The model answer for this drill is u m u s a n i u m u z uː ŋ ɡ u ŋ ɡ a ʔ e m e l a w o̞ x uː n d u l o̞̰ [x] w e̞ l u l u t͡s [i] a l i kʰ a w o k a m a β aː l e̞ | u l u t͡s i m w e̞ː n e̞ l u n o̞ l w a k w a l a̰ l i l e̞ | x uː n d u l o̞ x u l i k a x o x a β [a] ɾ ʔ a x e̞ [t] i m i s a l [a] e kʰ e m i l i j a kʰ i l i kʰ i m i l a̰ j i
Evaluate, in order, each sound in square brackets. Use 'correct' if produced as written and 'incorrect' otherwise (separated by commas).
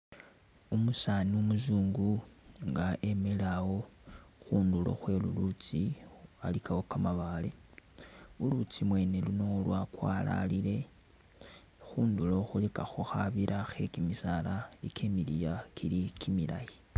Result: correct, correct, incorrect, incorrect, correct